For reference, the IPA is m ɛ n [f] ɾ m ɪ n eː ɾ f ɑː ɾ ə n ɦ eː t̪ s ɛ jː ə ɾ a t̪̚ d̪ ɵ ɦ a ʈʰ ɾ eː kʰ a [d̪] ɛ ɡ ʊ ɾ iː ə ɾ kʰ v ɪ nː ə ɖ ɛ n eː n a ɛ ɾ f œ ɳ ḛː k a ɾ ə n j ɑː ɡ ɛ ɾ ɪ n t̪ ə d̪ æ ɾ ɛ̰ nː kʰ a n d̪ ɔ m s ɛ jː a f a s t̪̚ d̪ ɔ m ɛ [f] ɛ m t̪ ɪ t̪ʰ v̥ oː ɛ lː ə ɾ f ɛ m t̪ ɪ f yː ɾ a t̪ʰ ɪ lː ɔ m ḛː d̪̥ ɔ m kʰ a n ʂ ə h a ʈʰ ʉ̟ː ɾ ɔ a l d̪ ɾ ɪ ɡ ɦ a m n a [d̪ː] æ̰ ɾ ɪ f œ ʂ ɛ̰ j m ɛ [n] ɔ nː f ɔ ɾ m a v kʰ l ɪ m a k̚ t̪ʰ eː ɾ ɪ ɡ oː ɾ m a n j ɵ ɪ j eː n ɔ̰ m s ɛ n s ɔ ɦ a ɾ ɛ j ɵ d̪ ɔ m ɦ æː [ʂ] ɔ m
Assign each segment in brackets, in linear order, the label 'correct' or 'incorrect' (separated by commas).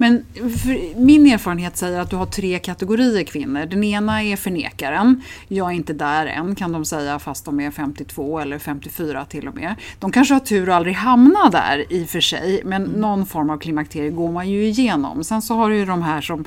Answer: correct, incorrect, correct, incorrect, incorrect, correct